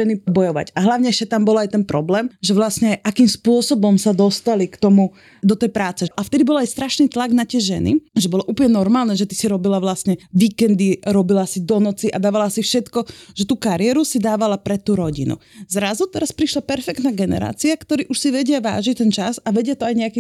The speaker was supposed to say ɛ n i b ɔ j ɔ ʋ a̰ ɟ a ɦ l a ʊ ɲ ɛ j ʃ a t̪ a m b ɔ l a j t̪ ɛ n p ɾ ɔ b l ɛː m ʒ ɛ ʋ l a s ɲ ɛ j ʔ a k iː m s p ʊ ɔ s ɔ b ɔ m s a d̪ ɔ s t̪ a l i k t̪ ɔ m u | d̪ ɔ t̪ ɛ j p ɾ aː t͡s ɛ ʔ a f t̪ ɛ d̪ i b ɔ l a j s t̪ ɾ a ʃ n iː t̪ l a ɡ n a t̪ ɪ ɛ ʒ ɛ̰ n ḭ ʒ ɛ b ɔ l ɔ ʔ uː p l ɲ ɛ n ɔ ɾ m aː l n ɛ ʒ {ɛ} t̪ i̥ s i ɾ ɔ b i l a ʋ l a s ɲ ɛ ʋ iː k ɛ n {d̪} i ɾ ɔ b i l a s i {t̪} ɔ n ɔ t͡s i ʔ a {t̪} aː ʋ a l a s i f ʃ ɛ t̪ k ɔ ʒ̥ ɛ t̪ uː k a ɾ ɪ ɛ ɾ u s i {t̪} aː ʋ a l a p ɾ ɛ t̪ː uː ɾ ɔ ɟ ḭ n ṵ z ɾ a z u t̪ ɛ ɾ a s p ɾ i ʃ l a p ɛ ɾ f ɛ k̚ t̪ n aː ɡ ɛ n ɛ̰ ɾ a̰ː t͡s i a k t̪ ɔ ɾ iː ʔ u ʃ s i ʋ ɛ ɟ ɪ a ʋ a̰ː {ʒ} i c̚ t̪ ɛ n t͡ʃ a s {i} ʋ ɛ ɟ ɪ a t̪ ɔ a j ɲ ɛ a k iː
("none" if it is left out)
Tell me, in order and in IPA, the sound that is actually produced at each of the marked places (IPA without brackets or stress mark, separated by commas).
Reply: ɛ, d̪, d̪, d̪, d̪, ʒ, a